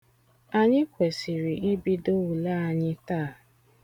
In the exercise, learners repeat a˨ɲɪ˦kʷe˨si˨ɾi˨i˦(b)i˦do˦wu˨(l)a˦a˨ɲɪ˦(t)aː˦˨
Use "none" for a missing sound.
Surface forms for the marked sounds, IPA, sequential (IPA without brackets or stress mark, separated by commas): b, l, t